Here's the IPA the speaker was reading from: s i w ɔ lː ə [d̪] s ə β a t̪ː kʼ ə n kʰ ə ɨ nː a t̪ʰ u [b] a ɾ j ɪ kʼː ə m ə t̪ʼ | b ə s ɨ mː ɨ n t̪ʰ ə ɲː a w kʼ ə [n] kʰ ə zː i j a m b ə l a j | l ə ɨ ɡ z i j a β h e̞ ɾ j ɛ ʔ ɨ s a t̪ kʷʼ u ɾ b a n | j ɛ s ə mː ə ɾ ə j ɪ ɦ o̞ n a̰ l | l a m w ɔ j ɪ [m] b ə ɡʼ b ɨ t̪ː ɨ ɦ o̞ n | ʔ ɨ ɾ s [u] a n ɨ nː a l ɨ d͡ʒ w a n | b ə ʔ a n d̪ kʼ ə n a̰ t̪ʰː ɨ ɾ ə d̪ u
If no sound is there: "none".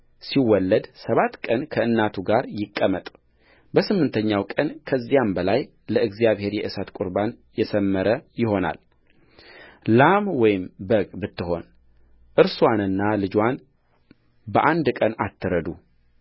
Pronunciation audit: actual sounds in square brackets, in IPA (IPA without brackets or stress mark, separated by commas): d̪, ɡ, n, m, w